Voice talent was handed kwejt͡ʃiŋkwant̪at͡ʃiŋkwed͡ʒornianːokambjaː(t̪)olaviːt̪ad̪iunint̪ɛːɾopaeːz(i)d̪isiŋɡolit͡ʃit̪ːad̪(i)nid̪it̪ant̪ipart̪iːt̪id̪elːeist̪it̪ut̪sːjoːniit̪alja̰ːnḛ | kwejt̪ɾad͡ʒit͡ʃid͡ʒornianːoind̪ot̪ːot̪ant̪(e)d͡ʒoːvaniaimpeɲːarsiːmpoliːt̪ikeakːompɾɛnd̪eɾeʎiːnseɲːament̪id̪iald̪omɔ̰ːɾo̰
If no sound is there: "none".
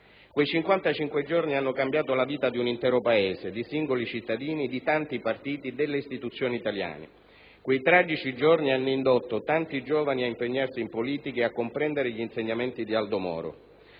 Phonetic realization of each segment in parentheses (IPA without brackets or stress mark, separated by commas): t̪, e, iː, i